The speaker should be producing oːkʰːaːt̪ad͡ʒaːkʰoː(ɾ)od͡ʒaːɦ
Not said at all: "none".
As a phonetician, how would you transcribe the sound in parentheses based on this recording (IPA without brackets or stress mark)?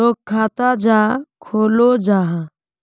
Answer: l